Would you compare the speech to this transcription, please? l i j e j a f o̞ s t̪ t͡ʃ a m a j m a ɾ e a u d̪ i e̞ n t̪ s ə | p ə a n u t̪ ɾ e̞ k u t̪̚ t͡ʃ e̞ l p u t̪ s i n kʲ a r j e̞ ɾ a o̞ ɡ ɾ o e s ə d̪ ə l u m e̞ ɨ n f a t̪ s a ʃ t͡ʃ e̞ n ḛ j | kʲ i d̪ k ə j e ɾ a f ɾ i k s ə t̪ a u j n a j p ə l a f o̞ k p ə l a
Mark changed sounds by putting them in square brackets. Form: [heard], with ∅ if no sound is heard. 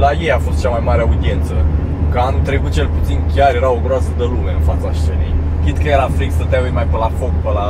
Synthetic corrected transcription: l [a] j e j a f o̞ s t̪ t͡ʃ a m a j m a ɾ e a u d̪ i e̞ n t̪ s ə | [k] ə a n u t̪ ɾ e̞ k u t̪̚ t͡ʃ e̞ l p u t̪ s i n kʲ a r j e̞ ɾ a o̞ ɡ ɾ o [a] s ə d̪ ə l u m e̞ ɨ n f a t̪ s a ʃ t͡ʃ e̞ n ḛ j | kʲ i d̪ k ə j e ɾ a f ɾ i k s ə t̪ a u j [m] a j p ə l a f o̞ k p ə l a